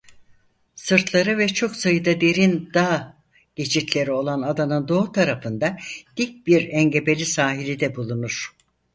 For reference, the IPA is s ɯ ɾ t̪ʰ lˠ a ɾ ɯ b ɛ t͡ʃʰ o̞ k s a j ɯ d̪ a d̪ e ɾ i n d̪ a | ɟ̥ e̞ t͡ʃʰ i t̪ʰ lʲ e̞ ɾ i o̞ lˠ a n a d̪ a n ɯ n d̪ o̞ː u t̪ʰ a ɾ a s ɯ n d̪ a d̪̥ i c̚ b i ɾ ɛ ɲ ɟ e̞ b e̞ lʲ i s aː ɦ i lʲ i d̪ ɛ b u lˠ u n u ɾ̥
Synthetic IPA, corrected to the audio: s ɯ ɾ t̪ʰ lˠ a ɾ ɯ v ɛ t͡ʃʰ o̞ k s a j ɯ d̪ a d̪ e ɾ i n d̪ a | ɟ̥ e̞ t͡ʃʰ i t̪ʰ lʲ e̞ ɾ i o̞ lˠ a n a d̪ a n ɯ n d̪ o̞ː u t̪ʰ a ɾ a f ɯ n d̪ a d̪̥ i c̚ b i ɾ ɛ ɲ ɟ e̞ b e̞ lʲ i s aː ɦ i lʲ i d̪ ɛ b u lˠ u n u ɾ̥